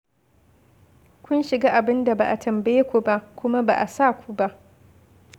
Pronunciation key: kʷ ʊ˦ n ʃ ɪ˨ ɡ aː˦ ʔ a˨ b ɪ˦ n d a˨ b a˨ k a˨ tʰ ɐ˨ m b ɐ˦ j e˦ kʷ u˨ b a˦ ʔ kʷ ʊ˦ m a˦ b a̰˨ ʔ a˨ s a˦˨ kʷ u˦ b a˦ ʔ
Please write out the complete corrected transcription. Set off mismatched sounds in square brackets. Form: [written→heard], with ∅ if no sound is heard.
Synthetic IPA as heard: kʷ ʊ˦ n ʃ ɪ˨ ɡ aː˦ ʔ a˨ b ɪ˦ n d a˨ b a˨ [k→ʔ] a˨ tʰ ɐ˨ m b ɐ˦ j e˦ kʷ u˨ b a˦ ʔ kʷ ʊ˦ m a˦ b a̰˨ ʔ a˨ s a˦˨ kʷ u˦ b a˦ ʔ

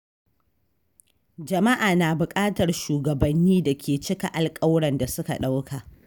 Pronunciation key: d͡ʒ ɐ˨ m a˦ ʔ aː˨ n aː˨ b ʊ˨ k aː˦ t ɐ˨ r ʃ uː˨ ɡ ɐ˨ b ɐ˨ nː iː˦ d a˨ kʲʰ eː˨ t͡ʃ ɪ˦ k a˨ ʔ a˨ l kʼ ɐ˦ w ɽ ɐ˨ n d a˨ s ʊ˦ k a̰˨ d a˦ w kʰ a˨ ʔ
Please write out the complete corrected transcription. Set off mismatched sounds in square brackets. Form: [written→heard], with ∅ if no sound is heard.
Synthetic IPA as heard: d͡ʒ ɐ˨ m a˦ ʔ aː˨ n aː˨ b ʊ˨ [k→kʼ] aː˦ t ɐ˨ r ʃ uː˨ ɡ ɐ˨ b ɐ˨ nː iː˦ d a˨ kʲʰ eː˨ t͡ʃ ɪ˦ k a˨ ʔ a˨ l kʼ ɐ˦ w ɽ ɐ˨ n d a˨ s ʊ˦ k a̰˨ [d→ɗ] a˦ w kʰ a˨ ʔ

